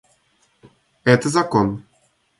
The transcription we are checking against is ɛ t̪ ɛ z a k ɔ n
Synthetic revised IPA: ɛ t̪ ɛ z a k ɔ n